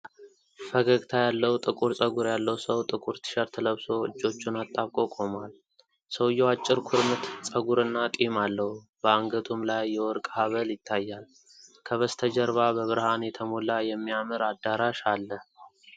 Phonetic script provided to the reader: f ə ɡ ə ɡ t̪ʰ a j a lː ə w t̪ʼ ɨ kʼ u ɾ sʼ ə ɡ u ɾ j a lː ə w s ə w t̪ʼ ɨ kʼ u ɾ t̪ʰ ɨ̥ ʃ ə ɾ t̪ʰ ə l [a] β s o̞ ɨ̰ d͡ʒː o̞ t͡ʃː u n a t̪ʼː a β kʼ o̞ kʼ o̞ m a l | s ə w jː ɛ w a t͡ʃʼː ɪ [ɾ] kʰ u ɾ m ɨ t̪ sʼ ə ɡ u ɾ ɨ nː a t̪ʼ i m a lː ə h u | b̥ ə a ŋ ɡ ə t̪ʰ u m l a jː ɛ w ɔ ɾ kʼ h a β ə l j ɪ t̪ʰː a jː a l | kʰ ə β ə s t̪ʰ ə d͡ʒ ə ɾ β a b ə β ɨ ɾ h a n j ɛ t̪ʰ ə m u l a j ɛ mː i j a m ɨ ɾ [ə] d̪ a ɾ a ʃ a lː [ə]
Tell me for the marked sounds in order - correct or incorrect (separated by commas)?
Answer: incorrect, correct, incorrect, correct